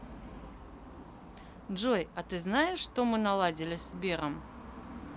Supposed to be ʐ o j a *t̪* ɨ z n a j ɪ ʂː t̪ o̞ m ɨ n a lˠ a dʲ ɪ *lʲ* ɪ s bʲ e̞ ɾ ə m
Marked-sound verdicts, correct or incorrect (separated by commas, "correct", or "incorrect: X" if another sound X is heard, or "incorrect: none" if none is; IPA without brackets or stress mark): correct, correct